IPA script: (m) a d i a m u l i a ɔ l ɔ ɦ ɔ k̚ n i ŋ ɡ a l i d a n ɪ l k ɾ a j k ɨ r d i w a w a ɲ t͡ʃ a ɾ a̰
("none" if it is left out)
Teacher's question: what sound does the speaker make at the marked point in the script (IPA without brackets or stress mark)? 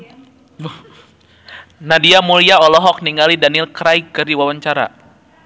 n